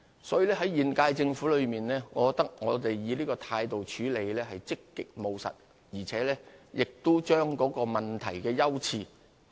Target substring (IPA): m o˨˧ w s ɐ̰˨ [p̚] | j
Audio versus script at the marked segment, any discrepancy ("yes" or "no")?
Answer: yes